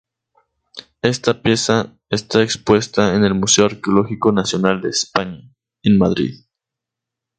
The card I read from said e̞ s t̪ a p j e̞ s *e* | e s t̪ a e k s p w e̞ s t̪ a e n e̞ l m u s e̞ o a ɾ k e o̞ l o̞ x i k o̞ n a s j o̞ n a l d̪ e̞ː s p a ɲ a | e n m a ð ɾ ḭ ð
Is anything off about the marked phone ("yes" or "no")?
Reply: yes